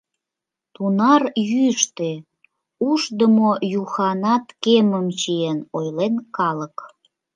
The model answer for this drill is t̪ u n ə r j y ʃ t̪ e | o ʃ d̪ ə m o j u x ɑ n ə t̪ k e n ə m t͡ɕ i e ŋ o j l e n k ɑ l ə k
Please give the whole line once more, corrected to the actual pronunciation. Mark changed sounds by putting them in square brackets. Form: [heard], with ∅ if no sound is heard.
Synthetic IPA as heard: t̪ u n [ɑ] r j y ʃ t̪ e | [u] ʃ d̪ ə m o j u x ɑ n [ɑ] t̪ k e [m] ə m t͡ɕ i e [n] o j l e n k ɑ l ə k